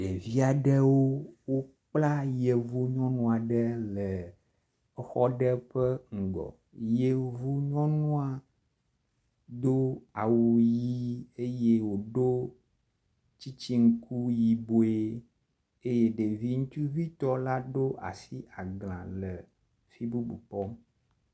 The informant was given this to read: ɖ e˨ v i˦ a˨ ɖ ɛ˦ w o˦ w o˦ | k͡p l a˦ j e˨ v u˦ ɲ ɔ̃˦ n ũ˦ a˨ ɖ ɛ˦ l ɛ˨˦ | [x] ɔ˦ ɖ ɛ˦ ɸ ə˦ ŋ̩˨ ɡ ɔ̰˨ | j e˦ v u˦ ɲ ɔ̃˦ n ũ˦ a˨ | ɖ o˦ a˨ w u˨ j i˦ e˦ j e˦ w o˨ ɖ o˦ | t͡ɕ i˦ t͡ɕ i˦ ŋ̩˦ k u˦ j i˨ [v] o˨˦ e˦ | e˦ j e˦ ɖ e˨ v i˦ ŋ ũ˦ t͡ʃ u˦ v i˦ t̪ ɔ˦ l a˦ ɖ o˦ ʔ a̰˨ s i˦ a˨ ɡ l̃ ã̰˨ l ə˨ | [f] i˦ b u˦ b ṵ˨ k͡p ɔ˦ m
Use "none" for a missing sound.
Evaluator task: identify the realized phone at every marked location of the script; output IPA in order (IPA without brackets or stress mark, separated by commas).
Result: x, b, f